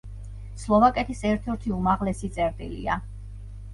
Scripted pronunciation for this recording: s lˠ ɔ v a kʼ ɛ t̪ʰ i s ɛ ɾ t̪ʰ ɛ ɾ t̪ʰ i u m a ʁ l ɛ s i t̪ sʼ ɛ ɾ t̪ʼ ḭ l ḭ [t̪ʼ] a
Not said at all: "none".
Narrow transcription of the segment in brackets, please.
none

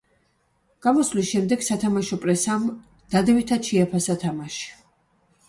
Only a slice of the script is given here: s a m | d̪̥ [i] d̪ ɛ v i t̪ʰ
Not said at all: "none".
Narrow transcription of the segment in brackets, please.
a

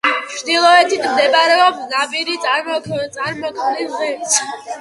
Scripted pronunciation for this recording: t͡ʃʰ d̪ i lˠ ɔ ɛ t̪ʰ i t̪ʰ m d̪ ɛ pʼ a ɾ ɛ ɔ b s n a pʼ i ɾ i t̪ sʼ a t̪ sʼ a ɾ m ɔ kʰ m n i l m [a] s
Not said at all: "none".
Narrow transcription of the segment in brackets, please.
ɛ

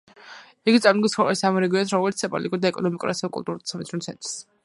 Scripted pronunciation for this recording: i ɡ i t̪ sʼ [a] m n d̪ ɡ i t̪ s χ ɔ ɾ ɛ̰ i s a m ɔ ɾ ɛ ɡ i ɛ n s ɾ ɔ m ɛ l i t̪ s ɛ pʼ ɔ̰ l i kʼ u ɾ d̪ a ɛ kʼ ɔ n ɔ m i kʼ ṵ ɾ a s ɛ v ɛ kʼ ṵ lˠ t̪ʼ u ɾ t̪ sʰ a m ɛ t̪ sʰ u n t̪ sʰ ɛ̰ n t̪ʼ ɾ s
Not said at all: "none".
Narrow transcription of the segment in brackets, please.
a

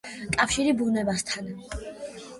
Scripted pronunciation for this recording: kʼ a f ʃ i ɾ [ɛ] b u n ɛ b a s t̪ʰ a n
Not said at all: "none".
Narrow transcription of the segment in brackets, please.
i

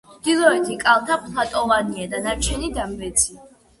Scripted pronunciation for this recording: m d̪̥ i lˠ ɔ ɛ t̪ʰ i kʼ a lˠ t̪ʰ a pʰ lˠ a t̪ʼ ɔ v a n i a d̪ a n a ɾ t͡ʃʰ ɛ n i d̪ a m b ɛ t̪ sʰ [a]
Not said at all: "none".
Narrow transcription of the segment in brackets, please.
i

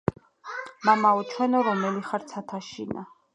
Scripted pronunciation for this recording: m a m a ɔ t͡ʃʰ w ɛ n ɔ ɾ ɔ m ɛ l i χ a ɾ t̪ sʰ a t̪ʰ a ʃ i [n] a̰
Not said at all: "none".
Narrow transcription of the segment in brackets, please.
n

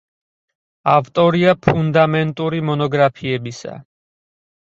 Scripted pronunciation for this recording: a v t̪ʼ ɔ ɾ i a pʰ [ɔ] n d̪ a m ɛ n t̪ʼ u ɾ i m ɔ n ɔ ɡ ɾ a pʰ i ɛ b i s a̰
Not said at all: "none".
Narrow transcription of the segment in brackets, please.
u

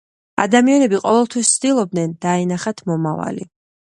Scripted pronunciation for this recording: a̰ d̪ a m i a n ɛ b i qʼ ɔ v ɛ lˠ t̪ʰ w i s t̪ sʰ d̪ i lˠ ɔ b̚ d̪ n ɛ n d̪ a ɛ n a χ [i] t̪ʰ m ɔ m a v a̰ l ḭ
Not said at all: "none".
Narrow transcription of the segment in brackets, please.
a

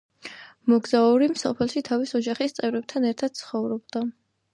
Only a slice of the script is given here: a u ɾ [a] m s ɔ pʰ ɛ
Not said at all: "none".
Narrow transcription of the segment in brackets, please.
i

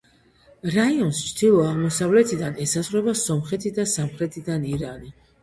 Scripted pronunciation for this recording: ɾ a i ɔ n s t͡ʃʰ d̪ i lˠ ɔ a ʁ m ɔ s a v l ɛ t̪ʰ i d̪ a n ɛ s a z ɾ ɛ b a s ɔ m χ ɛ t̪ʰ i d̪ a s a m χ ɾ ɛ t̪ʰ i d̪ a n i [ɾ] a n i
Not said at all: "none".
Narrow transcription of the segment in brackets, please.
ɾ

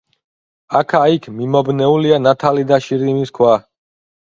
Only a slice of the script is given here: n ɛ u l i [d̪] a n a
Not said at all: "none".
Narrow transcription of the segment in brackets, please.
none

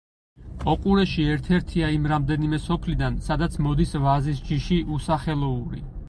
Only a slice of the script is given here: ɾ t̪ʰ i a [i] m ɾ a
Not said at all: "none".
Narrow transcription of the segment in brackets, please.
i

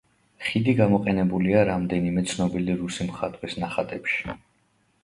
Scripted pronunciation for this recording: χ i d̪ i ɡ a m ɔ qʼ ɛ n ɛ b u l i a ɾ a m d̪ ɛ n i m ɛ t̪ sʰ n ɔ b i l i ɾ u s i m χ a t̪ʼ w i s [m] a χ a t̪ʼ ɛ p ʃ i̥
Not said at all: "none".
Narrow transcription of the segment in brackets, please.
n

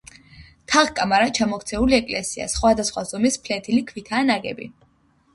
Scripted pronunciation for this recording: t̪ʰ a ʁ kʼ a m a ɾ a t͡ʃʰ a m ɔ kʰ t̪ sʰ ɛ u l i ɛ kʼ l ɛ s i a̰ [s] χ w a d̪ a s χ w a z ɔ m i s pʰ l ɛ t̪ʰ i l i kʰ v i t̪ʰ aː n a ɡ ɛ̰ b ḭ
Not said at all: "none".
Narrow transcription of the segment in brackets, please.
s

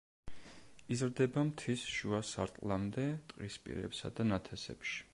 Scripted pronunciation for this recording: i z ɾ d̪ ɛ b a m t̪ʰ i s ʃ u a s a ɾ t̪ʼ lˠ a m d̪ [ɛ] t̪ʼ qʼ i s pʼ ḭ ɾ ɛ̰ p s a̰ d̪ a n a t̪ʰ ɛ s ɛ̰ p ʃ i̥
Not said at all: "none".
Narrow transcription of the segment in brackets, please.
ɛ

